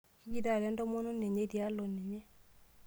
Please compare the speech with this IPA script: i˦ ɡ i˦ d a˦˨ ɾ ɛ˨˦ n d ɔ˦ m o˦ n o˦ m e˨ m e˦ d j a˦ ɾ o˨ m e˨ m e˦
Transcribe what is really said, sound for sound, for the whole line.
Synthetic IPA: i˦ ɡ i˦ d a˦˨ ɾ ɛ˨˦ n d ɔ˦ m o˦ n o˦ n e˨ ɲ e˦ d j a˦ l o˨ n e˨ ɲ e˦